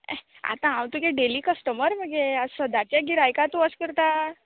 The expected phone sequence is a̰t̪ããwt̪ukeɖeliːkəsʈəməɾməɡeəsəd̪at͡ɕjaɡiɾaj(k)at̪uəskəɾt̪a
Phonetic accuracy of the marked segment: correct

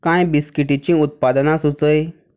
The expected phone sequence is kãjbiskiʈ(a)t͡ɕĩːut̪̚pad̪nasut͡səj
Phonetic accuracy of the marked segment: incorrect: i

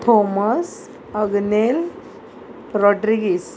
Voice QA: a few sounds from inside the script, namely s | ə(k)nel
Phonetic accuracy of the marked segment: incorrect: ɡ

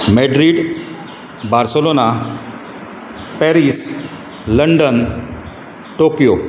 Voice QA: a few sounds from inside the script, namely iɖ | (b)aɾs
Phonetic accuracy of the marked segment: correct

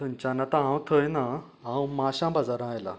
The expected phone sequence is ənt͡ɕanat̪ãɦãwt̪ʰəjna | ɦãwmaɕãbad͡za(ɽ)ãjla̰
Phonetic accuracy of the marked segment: incorrect: ɾ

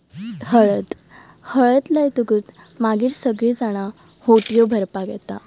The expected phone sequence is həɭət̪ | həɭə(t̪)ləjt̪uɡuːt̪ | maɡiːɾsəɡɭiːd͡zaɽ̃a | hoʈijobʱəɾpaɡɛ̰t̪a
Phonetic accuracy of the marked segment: correct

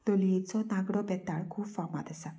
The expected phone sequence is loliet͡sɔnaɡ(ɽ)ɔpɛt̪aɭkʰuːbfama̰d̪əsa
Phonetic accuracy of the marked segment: correct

